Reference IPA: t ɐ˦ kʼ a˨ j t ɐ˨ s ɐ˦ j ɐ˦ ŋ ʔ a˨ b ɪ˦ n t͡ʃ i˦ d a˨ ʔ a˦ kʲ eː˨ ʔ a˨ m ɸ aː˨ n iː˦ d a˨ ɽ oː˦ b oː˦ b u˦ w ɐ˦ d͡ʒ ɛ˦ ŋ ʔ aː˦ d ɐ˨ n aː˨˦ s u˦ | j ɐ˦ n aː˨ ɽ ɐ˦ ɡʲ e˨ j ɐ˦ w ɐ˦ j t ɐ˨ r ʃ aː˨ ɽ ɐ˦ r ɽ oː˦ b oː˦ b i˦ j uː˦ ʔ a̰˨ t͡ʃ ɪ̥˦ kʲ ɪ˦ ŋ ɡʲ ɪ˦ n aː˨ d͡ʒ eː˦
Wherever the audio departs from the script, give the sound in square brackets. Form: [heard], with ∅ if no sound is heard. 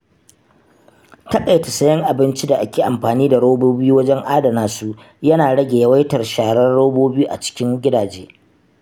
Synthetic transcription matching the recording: t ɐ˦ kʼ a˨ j t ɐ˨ s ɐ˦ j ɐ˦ ŋ ʔ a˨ b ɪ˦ n t͡ʃ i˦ d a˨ ʔ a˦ kʲ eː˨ ʔ a˨ m ɸ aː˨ n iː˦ d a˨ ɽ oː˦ b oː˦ b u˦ w ɐ˦ d͡ʒ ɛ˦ ŋ ʔ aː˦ d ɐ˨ n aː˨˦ s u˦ | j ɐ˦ n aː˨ ɽ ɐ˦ ɡʲ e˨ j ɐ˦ w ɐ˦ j t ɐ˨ r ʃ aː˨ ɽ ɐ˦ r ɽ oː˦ b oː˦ b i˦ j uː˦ ʔ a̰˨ t͡ʃ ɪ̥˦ kʲ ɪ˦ ŋ ɡʲ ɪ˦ [d] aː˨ d͡ʒ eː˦